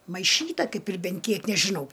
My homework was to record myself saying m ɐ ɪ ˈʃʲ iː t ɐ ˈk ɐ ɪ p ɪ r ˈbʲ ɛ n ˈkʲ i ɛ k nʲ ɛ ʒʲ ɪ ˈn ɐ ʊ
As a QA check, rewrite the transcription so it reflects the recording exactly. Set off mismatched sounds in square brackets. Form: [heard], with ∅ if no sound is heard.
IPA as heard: m ɐ ɪ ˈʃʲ iː t ɐ ˈk ɐ ɪ p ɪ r ˈbʲ ɛ n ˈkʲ i ɛ k nʲ ɛ ʒʲ ɪ ˈn ɐ ʊ